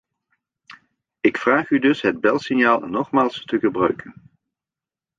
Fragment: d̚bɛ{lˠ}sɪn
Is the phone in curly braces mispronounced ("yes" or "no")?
no